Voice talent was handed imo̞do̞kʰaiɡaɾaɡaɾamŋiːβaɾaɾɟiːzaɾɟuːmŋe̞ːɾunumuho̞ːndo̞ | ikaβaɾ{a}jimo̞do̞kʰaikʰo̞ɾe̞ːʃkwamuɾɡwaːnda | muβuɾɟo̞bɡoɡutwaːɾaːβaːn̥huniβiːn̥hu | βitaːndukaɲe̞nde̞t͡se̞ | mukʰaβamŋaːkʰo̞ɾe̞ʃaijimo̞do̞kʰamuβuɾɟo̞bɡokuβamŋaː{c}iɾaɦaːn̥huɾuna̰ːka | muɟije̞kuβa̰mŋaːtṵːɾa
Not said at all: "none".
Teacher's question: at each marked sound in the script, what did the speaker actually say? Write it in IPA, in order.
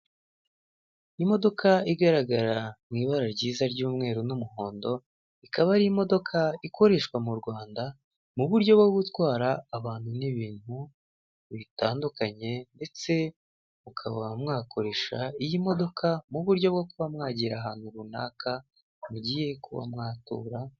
i, ɟ

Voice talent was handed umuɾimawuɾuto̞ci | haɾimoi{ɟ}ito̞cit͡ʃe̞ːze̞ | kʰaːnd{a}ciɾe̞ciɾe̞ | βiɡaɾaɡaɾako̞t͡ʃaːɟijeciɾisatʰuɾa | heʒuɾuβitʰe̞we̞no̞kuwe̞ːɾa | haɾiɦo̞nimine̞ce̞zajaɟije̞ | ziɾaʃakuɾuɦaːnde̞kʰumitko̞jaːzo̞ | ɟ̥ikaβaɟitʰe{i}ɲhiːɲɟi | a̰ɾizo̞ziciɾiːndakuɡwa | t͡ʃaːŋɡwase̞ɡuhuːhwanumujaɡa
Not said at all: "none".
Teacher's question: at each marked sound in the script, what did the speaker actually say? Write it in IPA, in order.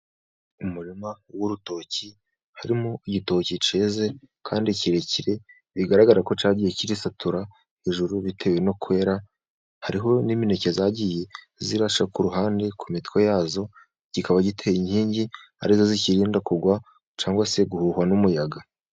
ɟ, i, i

